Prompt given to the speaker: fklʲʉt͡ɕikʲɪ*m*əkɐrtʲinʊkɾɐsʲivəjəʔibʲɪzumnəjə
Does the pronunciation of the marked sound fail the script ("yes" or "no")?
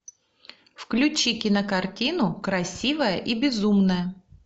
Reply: yes